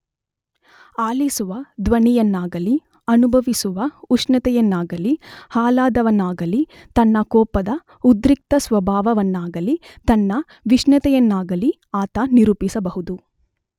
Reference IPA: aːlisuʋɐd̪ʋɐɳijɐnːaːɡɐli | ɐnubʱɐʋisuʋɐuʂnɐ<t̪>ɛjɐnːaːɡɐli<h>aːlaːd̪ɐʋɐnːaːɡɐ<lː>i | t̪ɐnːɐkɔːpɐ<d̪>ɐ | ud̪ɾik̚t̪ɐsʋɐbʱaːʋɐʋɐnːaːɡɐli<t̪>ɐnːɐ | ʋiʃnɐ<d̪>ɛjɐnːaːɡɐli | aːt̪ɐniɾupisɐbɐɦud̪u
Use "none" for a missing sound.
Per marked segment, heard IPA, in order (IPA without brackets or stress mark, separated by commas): t̪, h, l, d̪, t̪, t̪